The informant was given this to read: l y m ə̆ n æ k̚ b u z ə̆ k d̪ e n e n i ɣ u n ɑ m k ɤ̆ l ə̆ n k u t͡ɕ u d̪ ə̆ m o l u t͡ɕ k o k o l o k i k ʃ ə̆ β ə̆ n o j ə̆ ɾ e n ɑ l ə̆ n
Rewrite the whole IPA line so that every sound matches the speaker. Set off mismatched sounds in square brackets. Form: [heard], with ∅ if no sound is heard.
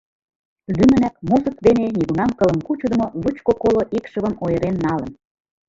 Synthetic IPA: l y m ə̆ n æ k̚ [m] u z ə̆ k d̪ e n e n i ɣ u n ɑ m k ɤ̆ l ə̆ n k u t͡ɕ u d̪ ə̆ m o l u t͡ɕ k o k o l o [ʔ] i k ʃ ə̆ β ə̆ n o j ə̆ ɾ e [nː] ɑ l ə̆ n